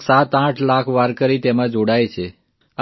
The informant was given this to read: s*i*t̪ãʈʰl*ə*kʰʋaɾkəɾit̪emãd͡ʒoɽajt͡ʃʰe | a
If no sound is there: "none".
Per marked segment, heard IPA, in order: a, a

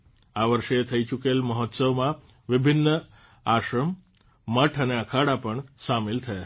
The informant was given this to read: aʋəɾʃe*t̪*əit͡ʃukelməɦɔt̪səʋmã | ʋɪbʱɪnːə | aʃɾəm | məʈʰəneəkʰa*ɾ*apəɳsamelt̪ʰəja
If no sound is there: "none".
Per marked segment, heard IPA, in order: t̪ʰ, ɽ

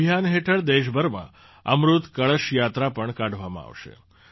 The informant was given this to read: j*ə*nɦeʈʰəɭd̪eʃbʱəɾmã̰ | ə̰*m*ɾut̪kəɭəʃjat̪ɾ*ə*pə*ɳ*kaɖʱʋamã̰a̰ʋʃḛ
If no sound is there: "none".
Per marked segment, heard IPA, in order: a, m, a, ɳ

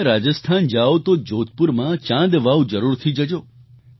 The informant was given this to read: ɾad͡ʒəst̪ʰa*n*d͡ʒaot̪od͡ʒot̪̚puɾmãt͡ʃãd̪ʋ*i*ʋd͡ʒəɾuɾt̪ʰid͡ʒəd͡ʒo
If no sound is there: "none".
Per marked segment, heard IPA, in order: n, a

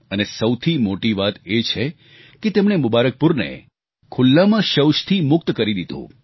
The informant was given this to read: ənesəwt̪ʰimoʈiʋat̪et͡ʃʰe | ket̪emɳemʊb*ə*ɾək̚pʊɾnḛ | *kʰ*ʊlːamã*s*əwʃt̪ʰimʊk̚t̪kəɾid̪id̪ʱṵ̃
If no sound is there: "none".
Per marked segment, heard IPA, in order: a, kʰ, ʃ

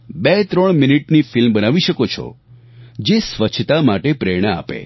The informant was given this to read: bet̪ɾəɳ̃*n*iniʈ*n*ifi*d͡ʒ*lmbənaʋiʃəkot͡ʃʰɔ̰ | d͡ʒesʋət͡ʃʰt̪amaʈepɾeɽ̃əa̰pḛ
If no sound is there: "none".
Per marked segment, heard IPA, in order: m, n, none

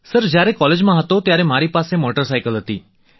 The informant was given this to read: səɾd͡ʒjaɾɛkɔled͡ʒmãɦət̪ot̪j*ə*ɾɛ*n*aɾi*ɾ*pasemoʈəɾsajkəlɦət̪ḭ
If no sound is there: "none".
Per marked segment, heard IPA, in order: a, m, none

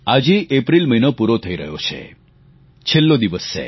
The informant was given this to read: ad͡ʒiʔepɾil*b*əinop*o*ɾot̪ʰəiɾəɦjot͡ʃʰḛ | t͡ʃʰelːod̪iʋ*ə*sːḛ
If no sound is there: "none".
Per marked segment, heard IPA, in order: m, u, ə

